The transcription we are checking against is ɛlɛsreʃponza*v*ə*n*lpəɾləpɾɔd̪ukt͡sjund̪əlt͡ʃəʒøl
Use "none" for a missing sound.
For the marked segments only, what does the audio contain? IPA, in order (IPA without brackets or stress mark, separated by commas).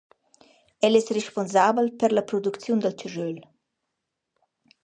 b, none